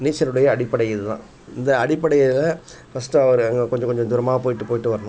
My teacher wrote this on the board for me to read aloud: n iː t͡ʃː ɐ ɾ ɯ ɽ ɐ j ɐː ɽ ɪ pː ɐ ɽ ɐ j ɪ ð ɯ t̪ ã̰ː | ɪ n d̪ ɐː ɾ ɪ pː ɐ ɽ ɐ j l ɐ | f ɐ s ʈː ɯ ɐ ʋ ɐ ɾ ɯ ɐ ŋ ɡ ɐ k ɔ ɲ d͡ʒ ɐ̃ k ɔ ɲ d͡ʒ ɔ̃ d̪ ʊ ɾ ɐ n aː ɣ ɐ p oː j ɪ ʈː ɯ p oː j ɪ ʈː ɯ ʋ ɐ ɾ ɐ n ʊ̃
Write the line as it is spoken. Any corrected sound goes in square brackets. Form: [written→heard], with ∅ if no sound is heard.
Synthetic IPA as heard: n iː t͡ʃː ɐ ɾ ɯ ɽ ɐ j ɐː ɽ ɪ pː ɐ ɽ ɐ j ɪ ð ɯ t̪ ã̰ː | ɪ n d̪ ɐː [ɾ→ɽ] ɪ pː ɐ ɽ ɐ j l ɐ | f ɐ s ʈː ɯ ɐ ʋ ɐ ɾ ɯ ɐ ŋ ɡ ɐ k ɔ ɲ d͡ʒ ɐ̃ k ɔ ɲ d͡ʒ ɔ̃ d̪ ʊ ɾ ɐ [n→m] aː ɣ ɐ p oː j ɪ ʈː ɯ p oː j ɪ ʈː ɯ ʋ ɐ ɾ ɐ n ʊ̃